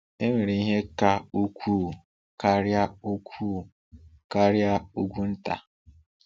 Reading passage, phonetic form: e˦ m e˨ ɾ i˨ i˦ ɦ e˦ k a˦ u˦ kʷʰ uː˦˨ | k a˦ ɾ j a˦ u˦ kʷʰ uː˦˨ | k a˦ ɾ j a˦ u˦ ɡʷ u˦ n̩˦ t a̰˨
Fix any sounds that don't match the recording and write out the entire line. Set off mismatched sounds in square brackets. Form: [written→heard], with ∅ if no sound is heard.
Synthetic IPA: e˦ m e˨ ɾ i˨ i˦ ɦ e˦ k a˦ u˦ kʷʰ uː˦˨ | k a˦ ɾ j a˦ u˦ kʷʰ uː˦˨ | k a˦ ɾ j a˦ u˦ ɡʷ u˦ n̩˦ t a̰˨